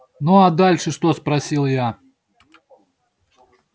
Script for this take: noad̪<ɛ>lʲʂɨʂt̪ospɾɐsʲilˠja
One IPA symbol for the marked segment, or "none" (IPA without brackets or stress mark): a